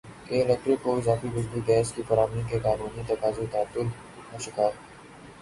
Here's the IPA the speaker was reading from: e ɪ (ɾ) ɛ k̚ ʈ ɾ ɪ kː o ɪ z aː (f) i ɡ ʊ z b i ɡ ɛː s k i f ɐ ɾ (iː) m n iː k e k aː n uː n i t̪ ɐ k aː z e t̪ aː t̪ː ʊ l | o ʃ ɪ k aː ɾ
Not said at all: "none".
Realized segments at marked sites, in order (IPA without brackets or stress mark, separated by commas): l, f, aː